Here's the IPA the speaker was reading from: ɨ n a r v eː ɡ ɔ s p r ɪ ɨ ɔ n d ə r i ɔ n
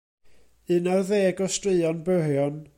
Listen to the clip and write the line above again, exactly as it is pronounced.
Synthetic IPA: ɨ n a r ð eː ɡ ɔ s t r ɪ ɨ ɔ n b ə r j ɔ n